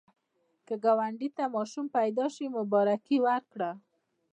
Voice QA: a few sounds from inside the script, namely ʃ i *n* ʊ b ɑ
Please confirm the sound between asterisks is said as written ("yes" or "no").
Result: no